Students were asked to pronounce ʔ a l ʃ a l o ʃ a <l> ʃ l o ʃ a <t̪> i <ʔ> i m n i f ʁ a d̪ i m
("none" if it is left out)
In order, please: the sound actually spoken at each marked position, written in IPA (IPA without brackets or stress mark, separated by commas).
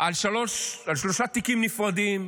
l, t̪, k